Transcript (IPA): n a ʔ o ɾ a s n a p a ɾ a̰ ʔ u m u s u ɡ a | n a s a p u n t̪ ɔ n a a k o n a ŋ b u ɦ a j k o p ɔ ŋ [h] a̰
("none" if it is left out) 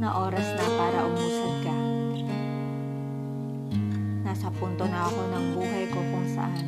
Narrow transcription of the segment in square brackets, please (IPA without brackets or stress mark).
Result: s